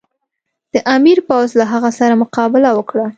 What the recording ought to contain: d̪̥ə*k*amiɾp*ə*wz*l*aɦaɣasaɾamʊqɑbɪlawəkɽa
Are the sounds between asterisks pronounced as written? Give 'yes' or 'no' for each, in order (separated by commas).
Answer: no, no, yes